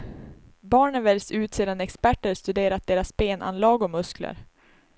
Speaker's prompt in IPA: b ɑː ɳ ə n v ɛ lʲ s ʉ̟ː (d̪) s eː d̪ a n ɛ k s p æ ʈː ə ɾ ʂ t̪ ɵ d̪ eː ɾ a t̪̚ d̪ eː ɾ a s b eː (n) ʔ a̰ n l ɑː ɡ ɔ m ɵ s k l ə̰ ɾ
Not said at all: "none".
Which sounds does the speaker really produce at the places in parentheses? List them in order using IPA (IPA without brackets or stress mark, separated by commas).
t̪, n